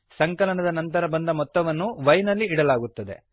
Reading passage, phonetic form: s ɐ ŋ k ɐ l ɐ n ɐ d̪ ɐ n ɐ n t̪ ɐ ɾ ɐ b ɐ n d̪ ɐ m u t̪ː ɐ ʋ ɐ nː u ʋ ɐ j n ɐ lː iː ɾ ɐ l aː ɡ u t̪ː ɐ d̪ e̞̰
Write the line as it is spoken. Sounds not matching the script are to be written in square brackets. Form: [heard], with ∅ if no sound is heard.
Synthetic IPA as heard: s ɐ ŋ k ɐ l ɐ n ɐ d̪ ɐ n ɐ n t̪ ɐ ɾ ɐ b ɐ n d̪ ɐ m [ɔ] t̪ː ɐ ʋ ɐ nː u ʋ ɐ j n ɐ lː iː [ɽ] ɐ l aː ɡ u t̪ː ɐ d̪ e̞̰